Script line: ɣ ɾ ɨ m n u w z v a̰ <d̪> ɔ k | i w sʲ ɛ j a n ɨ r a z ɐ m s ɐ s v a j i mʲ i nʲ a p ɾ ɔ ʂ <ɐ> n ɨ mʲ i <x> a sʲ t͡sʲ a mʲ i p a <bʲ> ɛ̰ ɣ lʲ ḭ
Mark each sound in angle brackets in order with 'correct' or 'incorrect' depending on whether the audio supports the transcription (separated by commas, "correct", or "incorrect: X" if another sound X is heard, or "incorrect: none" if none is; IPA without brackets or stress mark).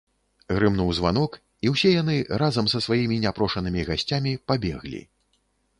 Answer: incorrect: n̪, correct, incorrect: ɣ, correct